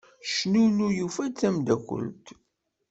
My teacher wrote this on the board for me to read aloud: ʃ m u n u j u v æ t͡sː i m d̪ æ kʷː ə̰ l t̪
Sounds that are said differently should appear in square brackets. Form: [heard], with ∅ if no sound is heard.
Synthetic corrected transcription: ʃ [n] u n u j u [f] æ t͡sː [æ] m d̪ æ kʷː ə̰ l t̪

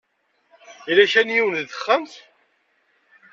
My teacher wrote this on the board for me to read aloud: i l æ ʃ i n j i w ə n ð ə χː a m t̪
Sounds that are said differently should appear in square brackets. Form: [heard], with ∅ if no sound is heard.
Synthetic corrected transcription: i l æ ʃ [æ] n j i w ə n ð ə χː [ə] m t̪

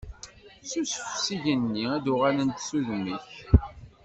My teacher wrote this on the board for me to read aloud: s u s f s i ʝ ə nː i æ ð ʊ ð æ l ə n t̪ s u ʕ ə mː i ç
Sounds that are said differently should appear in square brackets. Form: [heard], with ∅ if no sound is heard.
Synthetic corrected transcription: s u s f s i ʝ ə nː i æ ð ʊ [ʁ] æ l ə n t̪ s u [ð] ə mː i ç

